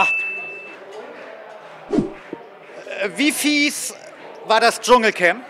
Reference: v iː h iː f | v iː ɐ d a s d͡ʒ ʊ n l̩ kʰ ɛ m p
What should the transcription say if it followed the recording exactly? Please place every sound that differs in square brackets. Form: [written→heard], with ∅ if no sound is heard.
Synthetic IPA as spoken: v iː [h→f] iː [f→s] | v [iː→aː] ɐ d a s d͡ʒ ʊ [n→ŋ] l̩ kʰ ɛ m p

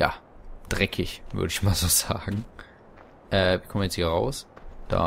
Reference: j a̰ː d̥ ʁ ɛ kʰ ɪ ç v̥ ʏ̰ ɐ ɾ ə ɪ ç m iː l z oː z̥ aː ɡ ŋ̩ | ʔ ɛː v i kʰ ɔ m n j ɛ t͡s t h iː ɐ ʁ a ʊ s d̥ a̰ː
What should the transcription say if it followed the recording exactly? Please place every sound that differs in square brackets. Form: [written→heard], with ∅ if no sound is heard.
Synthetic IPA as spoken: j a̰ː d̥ ʁ ɛ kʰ ɪ ç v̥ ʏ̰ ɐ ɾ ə ɪ ç m [iː→aː] l z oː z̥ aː ɡ ŋ̩ | ʔ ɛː v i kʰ ɔ m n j ɛ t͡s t h iː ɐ ʁ a ʊ s d̥ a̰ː

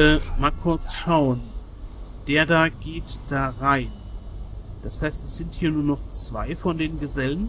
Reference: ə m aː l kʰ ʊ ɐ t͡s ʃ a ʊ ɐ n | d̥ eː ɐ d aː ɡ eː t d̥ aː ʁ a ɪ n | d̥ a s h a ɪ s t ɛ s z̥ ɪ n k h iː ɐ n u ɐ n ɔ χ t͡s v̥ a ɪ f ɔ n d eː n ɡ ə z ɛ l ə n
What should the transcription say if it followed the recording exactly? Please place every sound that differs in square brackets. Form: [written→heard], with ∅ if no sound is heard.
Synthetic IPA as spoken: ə m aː l kʰ ʊ ɐ t͡s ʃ a ʊ [ɐ→ə] n | d̥ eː ɐ d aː ɡ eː t d̥ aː ʁ a ɪ n | d̥ a s h a ɪ s t ɛ s z̥ ɪ n [k→t] h iː ɐ n [u→uː] ɐ n ɔ χ t͡s v̥ a ɪ f ɔ n d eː n ɡ ə z ɛ l ə n

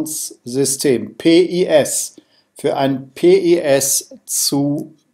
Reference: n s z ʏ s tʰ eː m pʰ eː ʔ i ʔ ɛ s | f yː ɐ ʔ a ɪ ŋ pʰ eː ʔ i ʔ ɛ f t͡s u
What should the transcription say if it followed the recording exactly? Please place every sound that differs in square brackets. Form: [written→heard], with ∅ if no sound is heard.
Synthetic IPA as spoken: n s z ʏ s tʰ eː m pʰ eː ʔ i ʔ ɛ s | f yː ɐ ʔ a ɪ [ŋ→n] pʰ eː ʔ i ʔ ɛ [f→s] t͡s u

